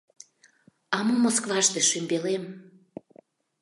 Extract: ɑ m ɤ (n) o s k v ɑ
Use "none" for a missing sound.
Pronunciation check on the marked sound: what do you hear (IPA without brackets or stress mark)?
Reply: m